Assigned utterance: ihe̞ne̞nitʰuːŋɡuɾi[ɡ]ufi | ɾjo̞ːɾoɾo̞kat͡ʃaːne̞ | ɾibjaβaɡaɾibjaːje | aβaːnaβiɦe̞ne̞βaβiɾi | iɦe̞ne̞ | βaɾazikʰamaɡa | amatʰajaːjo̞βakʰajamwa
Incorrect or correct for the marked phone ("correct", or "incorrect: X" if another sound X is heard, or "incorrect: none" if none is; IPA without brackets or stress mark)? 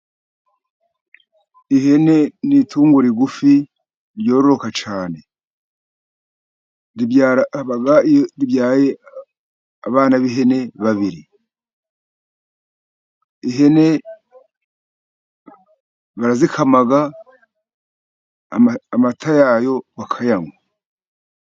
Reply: correct